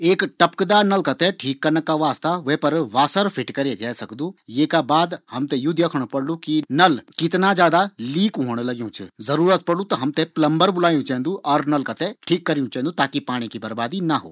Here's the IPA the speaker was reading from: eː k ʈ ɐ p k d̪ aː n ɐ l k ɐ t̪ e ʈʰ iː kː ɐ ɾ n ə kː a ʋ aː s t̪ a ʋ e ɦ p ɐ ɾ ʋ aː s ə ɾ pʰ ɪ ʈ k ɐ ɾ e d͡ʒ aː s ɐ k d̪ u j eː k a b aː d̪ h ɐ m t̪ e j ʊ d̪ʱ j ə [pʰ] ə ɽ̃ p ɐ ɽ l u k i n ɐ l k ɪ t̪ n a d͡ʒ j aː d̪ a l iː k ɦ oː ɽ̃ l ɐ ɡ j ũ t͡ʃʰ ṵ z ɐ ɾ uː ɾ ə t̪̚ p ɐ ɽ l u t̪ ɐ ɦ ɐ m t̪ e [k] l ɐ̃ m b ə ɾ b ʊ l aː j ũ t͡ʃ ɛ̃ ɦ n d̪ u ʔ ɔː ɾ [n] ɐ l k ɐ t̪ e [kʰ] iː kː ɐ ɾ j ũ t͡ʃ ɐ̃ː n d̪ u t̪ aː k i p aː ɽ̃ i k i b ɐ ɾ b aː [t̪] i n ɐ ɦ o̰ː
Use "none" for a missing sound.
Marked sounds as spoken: kʰ, p, n, ʈʰ, d̪

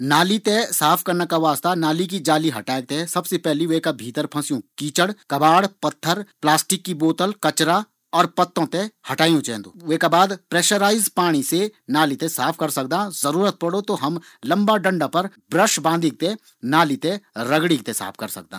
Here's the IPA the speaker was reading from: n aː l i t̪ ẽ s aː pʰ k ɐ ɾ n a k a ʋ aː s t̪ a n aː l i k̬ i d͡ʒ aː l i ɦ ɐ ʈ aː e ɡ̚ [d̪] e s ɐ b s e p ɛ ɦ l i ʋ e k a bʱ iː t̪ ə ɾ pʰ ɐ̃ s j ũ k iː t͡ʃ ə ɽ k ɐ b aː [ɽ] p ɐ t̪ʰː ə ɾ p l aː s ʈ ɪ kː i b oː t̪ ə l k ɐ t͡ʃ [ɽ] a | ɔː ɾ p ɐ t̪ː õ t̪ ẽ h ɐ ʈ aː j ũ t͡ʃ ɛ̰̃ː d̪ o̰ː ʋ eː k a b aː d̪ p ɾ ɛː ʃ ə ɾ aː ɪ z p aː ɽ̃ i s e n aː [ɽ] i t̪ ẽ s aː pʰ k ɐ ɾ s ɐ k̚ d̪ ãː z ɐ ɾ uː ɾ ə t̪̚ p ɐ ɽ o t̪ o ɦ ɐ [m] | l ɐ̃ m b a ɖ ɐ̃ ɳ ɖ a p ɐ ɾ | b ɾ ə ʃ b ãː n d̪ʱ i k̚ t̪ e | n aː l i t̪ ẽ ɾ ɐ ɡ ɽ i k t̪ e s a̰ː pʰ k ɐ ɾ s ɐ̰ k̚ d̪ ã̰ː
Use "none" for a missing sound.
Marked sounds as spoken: t̪, ɽ, ɾ, l, m

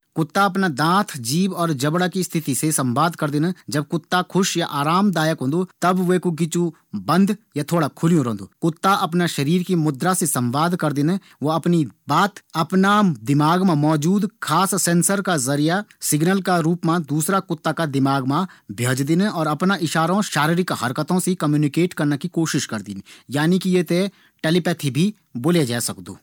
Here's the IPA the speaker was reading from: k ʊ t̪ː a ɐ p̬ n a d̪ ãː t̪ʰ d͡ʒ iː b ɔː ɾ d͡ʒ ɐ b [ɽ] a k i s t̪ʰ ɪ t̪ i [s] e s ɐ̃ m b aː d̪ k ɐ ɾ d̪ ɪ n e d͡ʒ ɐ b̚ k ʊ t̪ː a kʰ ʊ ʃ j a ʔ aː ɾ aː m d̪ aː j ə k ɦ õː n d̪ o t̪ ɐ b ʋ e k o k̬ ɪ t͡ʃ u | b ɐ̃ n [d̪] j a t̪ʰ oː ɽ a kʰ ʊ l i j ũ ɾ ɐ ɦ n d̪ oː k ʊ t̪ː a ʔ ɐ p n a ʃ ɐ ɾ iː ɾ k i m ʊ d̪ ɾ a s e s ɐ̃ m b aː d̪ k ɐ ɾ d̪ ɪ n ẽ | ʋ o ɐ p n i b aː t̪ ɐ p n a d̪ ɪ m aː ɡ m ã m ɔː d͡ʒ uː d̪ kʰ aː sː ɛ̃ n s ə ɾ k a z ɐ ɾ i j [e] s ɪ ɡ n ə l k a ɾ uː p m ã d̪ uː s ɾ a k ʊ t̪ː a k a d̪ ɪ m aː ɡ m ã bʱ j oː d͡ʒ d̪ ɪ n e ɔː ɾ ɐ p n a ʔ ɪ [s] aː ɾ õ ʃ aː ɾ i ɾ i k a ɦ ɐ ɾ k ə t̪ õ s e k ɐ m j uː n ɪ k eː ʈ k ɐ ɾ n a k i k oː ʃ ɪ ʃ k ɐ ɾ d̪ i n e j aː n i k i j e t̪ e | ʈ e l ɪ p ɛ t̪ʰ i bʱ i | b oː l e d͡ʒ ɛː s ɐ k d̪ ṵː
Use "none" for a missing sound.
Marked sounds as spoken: ɽ, s, d̪, a, ʃ

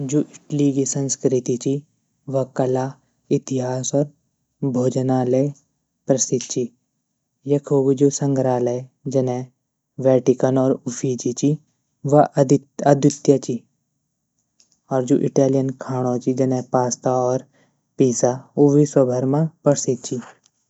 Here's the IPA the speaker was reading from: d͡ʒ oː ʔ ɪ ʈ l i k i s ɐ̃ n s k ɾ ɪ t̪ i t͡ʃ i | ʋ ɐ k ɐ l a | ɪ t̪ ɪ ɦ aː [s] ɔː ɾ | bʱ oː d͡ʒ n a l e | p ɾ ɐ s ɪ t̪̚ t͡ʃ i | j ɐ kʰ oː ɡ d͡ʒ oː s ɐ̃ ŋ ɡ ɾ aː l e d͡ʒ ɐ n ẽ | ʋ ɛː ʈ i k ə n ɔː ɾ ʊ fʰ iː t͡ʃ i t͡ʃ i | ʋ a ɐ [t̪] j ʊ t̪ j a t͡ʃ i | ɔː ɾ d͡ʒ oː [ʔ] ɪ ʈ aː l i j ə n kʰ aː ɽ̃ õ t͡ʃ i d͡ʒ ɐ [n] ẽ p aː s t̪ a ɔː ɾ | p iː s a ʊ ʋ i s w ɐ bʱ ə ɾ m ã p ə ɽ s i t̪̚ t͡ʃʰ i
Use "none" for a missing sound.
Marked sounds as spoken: s, d̪, ʔ, n

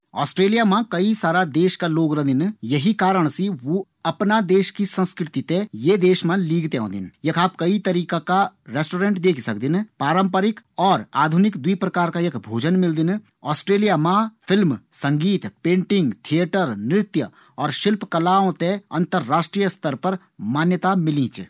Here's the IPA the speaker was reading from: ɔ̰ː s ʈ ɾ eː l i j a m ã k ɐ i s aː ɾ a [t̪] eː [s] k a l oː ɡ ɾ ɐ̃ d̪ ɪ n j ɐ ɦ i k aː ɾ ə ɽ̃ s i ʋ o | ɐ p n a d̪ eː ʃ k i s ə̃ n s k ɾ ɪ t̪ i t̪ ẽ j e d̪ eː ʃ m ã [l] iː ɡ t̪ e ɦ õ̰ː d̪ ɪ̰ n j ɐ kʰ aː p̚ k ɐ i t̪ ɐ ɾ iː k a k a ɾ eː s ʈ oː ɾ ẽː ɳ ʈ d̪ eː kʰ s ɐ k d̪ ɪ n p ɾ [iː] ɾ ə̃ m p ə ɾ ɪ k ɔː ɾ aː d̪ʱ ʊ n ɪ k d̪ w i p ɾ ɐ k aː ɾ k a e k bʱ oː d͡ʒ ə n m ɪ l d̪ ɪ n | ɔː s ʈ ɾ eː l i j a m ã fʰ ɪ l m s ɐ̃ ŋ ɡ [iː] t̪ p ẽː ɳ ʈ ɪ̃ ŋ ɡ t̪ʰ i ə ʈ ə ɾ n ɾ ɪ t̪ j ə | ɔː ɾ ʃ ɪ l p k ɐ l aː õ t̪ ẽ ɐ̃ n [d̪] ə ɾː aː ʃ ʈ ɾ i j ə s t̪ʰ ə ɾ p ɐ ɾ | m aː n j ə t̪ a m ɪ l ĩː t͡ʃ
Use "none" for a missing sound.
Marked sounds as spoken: d̪, ʃ, l, aː, iː, t̪

